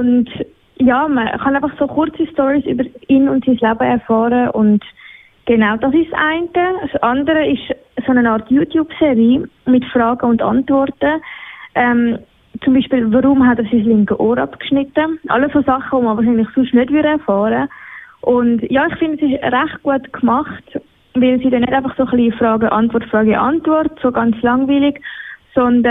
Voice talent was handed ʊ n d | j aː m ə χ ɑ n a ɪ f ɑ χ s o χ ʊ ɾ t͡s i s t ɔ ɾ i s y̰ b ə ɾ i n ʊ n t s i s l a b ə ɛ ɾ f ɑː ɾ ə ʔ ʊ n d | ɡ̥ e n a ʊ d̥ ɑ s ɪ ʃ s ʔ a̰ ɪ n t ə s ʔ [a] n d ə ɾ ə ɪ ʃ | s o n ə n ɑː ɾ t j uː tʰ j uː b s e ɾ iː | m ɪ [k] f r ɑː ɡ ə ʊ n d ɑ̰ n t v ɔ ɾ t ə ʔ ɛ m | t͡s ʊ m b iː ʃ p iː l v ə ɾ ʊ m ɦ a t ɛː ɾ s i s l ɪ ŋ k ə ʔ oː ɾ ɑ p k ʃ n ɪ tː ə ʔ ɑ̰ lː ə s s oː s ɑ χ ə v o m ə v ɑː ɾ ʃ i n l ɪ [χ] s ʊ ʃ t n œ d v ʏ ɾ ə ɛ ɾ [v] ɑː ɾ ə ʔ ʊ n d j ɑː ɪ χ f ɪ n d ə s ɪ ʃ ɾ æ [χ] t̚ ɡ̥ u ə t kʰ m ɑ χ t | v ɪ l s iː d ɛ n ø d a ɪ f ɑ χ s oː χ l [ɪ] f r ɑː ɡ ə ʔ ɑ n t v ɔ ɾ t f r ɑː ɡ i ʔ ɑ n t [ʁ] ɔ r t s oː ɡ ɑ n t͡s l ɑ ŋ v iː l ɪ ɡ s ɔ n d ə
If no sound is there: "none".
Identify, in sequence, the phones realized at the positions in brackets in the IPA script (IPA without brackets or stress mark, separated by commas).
ɑ, t, χ, f, χ, i, v